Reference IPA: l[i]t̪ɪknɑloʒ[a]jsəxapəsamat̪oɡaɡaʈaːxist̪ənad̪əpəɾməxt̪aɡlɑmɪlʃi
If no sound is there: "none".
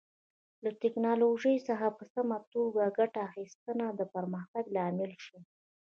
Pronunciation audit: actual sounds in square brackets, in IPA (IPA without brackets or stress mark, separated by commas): a, ə